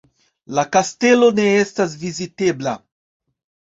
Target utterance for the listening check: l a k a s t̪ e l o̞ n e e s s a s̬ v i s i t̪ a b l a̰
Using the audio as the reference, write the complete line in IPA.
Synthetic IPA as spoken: l a k a s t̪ e l o̞ n e e s t a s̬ v i z i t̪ e b l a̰